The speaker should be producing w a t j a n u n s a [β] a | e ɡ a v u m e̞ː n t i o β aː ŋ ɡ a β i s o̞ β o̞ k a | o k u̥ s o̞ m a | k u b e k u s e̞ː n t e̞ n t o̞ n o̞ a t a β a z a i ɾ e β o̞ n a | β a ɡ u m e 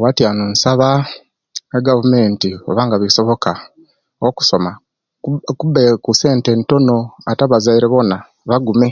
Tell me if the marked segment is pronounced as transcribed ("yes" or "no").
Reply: yes